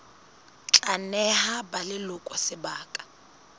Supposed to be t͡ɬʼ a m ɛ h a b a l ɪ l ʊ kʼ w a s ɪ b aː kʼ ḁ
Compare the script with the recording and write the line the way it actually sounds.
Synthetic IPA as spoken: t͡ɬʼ a n ɛ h a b a l ɪ l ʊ kʼ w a s ɪ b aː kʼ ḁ